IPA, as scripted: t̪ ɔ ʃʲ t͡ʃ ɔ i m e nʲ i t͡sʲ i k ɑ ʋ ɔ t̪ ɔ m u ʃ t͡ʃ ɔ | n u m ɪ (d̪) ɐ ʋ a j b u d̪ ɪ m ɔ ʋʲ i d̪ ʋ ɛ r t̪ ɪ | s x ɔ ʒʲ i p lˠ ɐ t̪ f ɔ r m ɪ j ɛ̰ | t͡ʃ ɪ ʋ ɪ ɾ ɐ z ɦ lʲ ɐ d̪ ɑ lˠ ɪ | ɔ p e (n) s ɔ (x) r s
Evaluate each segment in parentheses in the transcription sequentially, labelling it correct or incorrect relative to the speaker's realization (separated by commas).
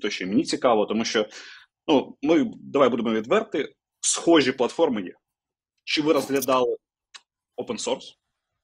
correct, correct, incorrect